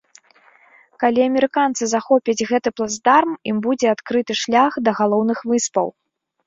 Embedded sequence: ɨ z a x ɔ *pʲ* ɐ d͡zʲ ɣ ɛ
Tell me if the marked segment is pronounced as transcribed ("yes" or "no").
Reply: yes